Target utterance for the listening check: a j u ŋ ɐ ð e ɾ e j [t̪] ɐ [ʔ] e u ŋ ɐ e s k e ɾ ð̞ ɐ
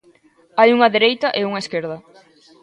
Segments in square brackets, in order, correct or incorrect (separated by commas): correct, correct